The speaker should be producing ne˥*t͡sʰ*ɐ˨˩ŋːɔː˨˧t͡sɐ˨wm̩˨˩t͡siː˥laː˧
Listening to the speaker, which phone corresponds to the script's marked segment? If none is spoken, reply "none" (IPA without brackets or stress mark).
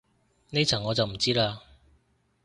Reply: t͡sʰ